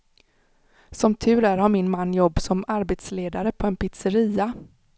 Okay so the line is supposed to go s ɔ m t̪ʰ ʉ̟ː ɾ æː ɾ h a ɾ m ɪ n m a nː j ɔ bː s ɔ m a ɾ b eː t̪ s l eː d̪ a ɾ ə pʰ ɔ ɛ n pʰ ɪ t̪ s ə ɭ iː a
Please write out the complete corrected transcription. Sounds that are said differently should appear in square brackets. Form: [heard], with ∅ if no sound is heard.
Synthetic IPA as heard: s ɔ m t̪ʰ ʉ̟ː ɾ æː ɾ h a ɾ m ɪ n m a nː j ɔ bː s ɔ m a ɾ b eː t̪ s l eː d̪ a ɾ ə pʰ ɔ ɛ n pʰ ɪ t̪ s ə [ɾ] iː a